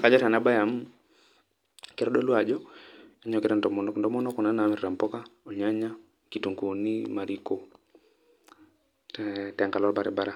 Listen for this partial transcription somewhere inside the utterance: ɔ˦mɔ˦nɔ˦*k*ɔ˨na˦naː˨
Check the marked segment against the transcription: correct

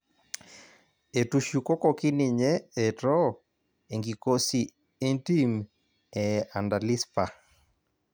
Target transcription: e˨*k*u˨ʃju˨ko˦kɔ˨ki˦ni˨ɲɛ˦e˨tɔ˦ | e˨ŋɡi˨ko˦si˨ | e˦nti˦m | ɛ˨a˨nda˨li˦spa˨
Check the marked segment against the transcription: incorrect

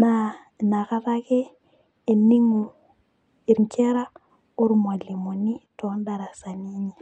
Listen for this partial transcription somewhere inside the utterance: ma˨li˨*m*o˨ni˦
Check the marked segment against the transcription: correct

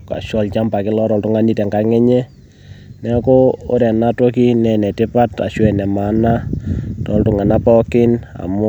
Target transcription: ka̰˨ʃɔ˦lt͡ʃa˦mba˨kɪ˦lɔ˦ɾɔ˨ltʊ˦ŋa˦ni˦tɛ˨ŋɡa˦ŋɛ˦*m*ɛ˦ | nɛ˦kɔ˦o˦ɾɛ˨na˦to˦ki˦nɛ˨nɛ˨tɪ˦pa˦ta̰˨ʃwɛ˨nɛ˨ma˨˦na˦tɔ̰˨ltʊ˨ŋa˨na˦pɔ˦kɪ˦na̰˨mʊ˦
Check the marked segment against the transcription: incorrect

